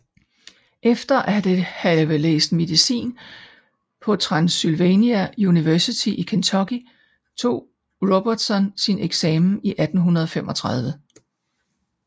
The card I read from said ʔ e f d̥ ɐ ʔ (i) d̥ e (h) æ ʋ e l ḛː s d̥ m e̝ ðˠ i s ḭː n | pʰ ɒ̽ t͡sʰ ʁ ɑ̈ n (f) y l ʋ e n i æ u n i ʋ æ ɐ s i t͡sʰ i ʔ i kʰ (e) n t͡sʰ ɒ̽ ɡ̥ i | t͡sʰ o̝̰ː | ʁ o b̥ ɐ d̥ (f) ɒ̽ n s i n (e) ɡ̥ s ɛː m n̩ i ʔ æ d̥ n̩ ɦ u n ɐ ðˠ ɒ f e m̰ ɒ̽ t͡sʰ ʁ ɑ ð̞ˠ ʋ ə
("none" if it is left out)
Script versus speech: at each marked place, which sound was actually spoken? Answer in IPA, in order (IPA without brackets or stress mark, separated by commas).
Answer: æ, h, s, e, s, e